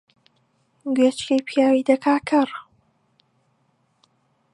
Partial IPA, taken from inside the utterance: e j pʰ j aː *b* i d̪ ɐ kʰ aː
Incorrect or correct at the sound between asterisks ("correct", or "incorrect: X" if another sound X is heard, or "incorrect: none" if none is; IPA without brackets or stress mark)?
incorrect: w